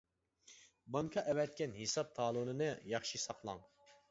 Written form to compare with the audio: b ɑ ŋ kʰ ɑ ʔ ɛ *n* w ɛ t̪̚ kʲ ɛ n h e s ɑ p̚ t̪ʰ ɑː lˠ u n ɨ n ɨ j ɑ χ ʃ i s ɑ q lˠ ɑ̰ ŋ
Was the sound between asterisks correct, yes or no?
no